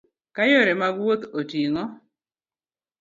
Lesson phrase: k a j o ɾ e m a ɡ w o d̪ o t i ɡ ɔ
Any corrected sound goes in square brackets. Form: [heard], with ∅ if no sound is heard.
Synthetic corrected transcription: k a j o ɾ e m a ɡ w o [t̪] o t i [ŋ] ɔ